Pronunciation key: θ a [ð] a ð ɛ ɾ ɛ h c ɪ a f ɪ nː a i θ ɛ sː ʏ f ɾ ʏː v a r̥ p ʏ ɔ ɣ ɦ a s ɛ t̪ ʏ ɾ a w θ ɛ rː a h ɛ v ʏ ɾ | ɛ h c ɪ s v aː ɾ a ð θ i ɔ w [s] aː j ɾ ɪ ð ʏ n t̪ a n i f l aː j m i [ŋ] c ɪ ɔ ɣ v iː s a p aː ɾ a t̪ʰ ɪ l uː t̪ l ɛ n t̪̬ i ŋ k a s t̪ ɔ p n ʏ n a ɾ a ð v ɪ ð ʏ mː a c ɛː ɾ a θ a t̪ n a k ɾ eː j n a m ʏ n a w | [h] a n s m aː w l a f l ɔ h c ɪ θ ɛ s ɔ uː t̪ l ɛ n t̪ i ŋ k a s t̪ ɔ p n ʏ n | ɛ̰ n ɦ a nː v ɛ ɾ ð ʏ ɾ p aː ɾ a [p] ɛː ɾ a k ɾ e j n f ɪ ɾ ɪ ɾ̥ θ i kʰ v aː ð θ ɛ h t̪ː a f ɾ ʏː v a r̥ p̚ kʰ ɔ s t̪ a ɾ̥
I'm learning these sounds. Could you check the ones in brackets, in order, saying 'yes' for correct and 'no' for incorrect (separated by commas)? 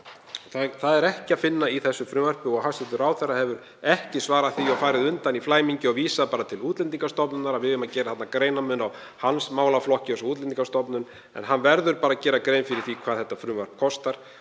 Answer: no, no, no, yes, no